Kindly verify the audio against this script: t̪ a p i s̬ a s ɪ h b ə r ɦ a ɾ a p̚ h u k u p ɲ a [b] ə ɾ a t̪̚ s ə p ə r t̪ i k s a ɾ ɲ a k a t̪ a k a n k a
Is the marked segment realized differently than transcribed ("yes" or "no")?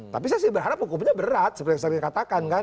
no